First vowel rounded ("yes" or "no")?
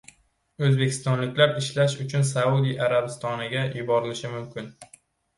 yes